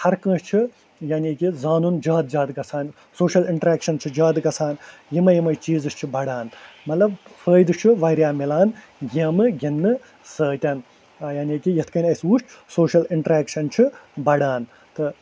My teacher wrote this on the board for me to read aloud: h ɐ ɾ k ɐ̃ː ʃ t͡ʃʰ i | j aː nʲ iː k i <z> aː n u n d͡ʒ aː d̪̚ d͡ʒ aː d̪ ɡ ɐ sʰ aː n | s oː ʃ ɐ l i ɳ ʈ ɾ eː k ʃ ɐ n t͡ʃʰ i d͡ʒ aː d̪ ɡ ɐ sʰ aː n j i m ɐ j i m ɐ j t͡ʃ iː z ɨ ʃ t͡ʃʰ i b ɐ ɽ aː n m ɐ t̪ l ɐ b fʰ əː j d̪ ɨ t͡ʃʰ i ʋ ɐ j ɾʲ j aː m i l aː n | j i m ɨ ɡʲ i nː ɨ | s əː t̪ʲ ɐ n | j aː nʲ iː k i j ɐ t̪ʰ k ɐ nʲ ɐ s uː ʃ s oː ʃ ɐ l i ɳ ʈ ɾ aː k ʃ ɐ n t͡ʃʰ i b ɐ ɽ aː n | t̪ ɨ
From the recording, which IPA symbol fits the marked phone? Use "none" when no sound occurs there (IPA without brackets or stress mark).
z